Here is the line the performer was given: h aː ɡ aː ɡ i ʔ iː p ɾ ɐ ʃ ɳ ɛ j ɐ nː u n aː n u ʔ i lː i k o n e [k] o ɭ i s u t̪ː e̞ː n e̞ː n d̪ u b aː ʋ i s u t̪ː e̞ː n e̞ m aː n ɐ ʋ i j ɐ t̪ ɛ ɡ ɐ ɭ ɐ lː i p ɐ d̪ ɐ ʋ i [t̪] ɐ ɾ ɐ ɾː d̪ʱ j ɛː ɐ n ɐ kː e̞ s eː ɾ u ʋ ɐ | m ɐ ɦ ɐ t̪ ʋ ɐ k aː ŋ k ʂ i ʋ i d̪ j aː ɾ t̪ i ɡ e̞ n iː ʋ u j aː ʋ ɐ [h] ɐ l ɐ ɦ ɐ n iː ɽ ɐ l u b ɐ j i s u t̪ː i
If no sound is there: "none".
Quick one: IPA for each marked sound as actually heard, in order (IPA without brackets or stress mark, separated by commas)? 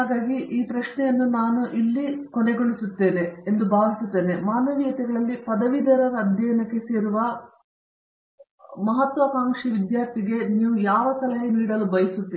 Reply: ɡ, d̪, s